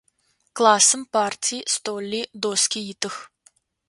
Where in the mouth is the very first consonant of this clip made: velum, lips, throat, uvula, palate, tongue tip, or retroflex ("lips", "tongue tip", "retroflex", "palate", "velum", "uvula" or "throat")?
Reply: velum